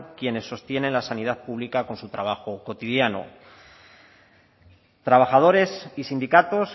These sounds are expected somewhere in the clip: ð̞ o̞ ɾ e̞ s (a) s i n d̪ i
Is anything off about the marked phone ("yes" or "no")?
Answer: yes